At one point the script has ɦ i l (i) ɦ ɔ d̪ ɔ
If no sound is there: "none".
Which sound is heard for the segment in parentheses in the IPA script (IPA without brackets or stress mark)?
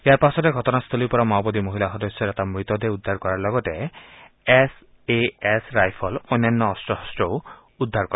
a